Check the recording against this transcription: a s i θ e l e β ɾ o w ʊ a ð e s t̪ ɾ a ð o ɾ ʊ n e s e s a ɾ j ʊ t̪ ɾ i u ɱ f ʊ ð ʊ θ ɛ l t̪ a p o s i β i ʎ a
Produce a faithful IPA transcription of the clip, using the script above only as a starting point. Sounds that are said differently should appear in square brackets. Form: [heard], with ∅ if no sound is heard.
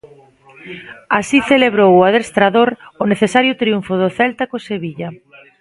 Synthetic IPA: a s i θ e l e β ɾ o w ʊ a ð e s t̪ ɾ a ð o ɾ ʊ n e [θ] e s a ɾ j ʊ t̪ ɾ i u ɱ f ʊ ð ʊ θ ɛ l t̪ a [k] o s [e] β i ʎ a